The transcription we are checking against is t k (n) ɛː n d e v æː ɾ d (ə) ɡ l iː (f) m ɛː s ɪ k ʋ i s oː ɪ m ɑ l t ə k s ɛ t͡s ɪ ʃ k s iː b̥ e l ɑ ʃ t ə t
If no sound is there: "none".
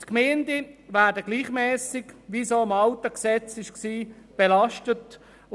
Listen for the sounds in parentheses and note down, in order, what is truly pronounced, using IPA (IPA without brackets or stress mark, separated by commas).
m, ə, χ